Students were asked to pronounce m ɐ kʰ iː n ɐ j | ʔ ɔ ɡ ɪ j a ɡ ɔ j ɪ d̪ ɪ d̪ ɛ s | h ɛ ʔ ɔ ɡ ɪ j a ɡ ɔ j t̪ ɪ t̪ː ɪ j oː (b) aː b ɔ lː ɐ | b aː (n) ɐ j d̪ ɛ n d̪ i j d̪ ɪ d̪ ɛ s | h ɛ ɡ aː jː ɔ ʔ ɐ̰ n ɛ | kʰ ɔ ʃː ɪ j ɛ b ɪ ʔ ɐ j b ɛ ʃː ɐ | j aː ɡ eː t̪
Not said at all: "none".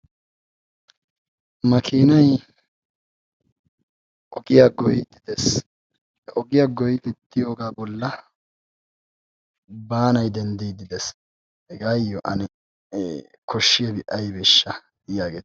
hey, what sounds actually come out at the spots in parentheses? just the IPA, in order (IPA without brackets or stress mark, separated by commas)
ɡ, n